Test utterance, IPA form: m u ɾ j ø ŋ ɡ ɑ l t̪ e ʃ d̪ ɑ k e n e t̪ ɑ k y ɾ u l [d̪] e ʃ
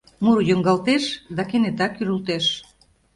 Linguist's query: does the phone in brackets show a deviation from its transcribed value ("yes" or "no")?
yes